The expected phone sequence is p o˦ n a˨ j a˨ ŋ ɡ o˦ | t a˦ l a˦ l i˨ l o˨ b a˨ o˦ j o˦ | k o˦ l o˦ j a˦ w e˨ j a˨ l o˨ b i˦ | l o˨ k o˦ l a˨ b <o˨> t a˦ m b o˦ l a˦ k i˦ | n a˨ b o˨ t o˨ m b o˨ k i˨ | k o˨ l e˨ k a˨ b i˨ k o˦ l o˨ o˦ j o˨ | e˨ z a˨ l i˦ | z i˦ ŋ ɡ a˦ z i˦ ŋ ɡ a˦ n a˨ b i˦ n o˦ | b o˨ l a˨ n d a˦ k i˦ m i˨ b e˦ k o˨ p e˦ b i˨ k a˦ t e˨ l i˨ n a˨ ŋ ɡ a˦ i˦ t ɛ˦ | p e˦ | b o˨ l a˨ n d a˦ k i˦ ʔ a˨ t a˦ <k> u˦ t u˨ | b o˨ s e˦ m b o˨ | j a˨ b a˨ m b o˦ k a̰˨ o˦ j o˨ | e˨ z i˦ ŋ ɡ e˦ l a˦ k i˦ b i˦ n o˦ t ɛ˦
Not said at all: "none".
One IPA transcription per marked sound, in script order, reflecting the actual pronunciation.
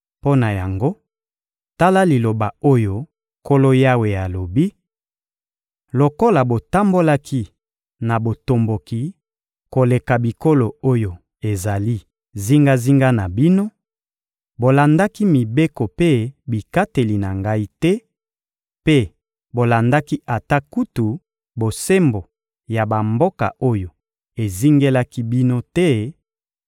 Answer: o˨, k

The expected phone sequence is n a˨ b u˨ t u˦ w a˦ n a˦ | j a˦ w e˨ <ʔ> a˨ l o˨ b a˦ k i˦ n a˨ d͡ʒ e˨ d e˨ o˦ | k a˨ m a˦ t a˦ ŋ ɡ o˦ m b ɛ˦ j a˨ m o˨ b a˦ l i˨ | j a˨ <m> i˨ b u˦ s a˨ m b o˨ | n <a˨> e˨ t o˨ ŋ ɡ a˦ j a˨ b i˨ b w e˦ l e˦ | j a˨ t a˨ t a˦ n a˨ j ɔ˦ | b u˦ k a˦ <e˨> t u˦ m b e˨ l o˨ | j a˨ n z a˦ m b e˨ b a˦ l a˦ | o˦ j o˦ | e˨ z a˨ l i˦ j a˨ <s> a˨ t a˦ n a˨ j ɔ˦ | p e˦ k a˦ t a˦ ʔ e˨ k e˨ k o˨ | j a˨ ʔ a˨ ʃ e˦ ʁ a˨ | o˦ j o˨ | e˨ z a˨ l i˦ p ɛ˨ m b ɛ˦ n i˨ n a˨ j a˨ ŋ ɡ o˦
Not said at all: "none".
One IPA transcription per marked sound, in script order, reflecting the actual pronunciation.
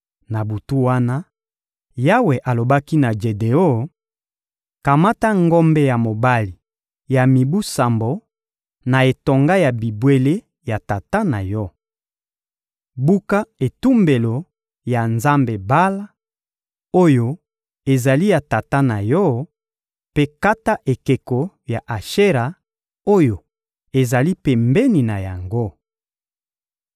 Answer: ʔ, m, a˨, e˨, t

